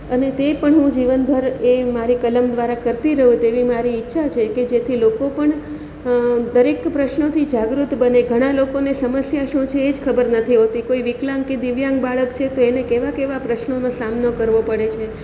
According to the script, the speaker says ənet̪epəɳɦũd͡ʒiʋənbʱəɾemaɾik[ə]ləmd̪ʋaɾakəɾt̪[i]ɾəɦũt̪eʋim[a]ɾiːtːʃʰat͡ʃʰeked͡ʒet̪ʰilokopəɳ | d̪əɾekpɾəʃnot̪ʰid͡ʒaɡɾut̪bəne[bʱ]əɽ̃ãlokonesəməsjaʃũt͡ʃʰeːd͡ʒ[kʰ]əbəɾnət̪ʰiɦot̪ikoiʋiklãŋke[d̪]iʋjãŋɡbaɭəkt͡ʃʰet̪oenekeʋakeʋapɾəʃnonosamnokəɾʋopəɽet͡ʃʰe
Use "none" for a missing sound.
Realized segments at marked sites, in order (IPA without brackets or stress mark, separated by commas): ə, i, a, ɡʱ, kʰ, d̪